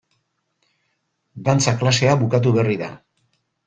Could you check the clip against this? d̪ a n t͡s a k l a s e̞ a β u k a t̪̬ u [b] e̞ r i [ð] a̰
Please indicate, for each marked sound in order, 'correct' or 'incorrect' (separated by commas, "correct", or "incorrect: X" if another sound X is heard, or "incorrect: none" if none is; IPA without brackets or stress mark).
incorrect: β, correct